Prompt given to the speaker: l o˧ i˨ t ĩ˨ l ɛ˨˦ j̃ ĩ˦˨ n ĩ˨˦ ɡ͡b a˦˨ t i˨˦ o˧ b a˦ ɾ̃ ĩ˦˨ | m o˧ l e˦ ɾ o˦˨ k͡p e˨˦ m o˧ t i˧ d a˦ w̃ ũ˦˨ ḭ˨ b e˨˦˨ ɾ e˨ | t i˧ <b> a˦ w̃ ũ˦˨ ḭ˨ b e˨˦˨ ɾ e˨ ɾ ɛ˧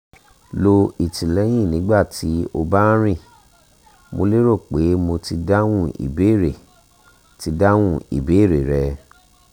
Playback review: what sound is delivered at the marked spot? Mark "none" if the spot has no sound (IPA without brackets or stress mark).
d